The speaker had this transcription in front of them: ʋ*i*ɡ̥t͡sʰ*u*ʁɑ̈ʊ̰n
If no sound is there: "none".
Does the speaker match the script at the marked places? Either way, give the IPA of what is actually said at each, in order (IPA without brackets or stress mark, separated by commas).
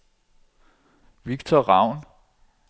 i, ɒ